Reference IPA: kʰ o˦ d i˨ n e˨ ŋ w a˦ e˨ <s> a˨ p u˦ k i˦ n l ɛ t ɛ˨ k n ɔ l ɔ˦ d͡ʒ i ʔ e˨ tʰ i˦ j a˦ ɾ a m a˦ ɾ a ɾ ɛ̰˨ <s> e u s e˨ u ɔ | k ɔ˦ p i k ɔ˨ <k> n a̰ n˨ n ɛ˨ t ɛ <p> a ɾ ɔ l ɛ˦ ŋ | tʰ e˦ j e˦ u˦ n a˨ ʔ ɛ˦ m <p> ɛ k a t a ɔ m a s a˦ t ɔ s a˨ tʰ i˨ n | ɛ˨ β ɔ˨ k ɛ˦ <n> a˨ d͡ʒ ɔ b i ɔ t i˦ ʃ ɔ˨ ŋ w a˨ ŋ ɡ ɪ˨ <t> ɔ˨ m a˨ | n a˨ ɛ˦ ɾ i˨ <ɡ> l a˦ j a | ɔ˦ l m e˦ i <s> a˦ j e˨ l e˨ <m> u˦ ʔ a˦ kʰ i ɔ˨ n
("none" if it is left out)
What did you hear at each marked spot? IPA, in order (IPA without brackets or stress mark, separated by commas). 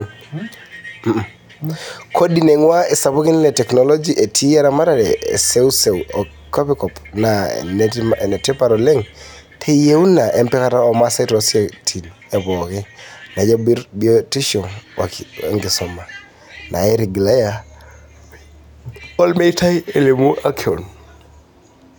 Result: s, s, p, p, p, n, s, ɡ, t, m